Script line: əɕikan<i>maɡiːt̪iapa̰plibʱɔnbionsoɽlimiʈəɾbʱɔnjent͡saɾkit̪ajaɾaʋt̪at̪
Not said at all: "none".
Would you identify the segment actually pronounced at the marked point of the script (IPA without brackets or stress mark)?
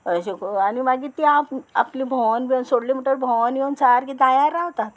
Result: i